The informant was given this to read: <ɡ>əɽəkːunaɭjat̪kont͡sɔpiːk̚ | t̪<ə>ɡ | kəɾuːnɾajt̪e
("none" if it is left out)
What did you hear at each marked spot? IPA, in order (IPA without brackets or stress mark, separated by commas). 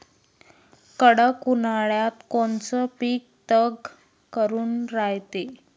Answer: k, ə